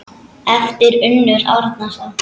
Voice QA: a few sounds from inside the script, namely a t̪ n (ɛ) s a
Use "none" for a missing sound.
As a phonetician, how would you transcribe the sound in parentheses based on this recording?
a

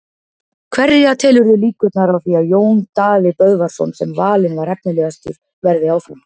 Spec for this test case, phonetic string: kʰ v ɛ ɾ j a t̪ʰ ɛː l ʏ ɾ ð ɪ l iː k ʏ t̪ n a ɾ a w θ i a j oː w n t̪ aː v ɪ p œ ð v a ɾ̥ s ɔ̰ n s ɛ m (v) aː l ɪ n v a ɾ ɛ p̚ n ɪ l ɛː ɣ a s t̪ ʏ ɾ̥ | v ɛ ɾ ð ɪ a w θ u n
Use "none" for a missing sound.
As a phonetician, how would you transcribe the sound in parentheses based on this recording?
v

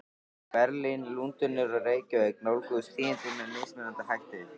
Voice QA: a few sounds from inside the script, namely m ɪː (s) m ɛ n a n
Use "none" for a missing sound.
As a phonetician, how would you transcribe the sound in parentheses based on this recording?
s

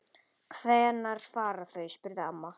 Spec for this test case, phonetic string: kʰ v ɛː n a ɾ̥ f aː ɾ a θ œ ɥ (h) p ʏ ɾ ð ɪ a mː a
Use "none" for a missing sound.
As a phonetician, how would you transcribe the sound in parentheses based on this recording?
s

